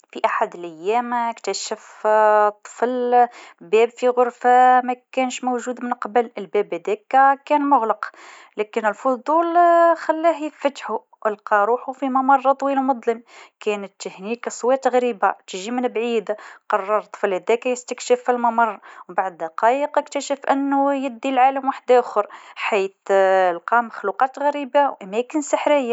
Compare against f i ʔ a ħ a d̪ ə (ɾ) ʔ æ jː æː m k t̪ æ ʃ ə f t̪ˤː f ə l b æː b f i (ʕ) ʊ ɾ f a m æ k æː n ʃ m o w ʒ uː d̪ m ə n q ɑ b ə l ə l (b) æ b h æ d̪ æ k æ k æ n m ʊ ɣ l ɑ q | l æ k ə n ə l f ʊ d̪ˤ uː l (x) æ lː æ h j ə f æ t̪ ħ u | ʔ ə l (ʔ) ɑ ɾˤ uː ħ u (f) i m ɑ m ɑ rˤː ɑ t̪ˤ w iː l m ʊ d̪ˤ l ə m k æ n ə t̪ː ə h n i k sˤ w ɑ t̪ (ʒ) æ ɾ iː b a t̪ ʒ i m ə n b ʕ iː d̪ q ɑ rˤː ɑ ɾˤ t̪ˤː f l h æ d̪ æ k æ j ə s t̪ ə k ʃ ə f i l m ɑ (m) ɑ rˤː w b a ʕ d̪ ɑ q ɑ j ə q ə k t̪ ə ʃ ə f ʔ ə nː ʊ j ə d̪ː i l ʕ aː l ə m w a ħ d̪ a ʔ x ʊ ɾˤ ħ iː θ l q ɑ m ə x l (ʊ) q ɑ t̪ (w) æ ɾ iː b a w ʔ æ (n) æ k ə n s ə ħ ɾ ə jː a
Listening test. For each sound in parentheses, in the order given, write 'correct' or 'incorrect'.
incorrect: l, incorrect: ɣ, correct, correct, incorrect: q, correct, incorrect: ɣ, correct, incorrect: u, incorrect: ɣ, incorrect: m

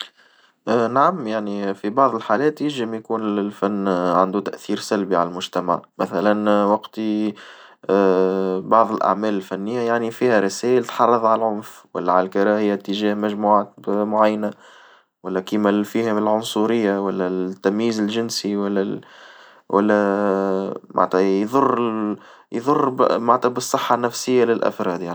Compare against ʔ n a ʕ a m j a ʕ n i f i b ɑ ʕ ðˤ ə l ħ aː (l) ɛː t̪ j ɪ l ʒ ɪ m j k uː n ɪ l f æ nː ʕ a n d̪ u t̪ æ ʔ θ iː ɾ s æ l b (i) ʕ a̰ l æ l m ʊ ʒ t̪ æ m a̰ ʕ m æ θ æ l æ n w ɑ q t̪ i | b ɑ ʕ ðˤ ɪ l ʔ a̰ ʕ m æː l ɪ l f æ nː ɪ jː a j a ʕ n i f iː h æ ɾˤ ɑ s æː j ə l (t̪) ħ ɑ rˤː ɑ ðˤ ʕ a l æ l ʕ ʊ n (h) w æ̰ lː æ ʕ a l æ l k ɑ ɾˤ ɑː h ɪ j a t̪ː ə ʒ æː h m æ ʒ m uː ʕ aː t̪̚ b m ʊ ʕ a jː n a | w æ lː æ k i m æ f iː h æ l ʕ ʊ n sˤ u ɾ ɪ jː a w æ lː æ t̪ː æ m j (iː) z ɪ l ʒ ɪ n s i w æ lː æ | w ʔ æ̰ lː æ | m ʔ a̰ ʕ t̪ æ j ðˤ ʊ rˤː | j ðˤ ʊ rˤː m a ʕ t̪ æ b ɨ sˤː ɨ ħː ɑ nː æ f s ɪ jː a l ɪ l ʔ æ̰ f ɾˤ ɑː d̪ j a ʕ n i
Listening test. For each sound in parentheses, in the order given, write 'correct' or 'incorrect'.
correct, correct, correct, incorrect: f, correct

